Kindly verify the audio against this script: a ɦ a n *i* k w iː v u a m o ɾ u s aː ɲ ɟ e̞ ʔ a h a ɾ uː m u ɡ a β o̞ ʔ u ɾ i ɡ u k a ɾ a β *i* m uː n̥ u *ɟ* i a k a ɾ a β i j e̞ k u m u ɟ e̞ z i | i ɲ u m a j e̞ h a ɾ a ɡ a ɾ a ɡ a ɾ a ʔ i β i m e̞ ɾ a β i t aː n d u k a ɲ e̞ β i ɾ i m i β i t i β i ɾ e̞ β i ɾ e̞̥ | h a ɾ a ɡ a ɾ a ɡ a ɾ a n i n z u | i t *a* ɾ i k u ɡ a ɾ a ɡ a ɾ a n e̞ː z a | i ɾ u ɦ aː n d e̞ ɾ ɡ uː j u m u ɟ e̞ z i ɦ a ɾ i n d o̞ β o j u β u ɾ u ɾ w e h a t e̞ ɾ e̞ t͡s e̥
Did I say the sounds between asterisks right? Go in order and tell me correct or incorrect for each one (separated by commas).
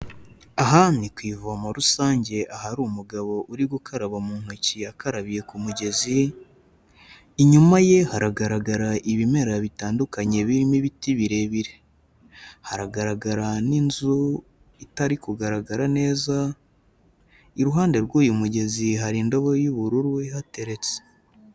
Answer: correct, incorrect, incorrect, correct